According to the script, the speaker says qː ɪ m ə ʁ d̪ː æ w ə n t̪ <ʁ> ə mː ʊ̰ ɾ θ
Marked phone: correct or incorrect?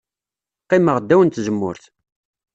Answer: incorrect